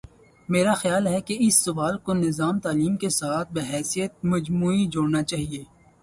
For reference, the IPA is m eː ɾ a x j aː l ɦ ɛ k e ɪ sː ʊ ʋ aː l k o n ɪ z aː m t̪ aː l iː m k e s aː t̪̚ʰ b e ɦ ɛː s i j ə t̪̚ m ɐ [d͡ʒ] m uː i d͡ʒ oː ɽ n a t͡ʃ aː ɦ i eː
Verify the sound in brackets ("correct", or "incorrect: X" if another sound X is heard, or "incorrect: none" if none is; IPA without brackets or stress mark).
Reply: correct